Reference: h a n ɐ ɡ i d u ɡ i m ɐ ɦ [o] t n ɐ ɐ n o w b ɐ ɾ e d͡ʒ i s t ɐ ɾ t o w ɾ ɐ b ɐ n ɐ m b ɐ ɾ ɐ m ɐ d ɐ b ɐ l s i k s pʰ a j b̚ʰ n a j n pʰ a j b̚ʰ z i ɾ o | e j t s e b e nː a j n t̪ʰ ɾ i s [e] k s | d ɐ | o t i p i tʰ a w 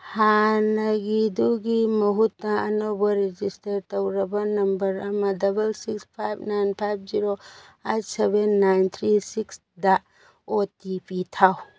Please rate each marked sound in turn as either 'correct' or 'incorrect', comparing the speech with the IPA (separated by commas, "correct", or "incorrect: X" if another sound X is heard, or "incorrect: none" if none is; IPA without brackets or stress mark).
incorrect: u, incorrect: i